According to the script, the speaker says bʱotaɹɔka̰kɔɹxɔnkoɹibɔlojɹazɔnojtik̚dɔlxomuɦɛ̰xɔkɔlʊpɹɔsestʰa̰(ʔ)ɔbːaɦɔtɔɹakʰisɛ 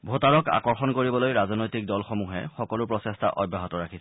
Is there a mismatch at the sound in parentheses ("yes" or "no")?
no